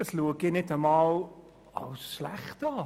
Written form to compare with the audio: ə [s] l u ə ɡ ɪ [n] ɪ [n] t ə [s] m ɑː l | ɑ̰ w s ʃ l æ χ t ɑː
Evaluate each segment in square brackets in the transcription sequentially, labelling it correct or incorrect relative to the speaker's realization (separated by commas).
correct, correct, incorrect, incorrect